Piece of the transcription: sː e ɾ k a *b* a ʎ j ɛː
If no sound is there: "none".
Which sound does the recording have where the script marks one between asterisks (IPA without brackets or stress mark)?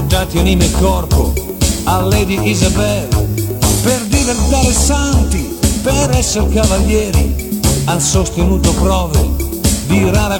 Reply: v